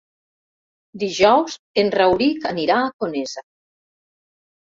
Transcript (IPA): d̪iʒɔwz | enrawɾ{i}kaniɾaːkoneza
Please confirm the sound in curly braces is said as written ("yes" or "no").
yes